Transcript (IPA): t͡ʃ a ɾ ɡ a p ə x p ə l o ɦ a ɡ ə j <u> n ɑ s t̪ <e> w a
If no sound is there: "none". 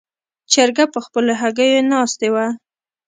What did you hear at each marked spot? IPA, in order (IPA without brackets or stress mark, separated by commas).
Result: o, e